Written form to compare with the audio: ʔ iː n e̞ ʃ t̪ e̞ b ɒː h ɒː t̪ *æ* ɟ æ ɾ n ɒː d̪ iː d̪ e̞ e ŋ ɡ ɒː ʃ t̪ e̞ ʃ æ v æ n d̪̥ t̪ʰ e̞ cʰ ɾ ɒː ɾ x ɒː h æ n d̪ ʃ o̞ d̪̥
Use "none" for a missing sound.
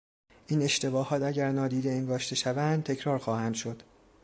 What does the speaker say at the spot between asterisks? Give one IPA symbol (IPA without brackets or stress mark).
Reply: æ